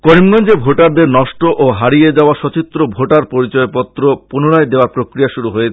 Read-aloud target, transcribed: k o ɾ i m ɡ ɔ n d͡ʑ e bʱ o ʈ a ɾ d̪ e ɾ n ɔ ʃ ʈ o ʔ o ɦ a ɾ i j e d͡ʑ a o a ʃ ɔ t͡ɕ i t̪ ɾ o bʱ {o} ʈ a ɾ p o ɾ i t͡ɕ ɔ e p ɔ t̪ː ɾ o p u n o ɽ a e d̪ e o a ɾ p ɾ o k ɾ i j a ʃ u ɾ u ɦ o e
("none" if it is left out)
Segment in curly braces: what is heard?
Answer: o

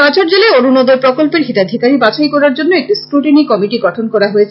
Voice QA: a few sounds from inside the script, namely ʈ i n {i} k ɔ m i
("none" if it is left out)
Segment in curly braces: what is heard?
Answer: i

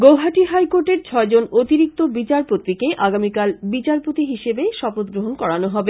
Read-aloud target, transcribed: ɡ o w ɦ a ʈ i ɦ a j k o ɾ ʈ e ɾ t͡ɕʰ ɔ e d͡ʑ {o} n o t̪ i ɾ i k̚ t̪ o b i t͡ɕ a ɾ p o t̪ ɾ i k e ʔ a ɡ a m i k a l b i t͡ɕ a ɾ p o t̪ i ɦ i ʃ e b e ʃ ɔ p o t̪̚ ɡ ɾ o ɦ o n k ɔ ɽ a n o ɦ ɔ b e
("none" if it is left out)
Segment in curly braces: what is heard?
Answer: o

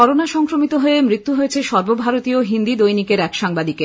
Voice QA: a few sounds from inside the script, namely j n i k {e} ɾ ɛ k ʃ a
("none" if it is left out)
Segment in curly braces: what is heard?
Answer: e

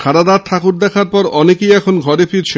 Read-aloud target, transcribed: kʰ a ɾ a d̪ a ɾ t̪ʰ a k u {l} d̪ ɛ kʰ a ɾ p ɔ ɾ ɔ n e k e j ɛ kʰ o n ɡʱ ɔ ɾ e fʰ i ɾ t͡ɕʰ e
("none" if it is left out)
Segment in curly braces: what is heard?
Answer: ɾ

